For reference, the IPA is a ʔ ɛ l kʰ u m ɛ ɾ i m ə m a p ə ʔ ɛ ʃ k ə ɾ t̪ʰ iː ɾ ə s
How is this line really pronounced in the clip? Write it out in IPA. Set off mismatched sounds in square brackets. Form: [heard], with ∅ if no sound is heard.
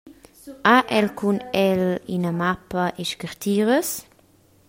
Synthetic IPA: a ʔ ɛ l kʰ u [n] ɛ [l] i [n] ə m a p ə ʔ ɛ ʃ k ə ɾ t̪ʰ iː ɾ ə s